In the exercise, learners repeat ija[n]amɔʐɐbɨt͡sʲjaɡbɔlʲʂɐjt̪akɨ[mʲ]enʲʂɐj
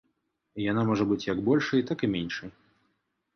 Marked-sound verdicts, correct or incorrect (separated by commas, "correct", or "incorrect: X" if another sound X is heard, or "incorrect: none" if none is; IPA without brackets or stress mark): correct, correct